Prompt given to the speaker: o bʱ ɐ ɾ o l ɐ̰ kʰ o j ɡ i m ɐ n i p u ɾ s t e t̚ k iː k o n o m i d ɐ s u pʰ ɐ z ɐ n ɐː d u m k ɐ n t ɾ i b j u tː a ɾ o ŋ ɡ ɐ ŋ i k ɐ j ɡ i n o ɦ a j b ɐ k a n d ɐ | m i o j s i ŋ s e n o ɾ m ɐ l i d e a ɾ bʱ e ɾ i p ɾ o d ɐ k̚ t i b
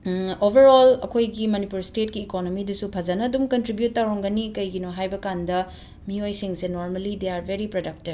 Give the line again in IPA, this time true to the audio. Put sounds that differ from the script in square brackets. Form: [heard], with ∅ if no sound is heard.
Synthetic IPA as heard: o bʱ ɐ ɾ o l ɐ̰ kʰ o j ɡ i m ɐ n i p u ɾ s t e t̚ k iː k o n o m i d ɐ s u pʰ ɐ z ɐ n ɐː d u m k ɐ n t ɾ i b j u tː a ɾ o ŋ ɡ ɐ [n] i k ɐ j ɡ i n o ɦ a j b ɐ k a n d ɐ | m i o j s i ŋ s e n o ɾ m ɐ l i d e a ɾ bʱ e ɾ i p ɾ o d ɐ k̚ t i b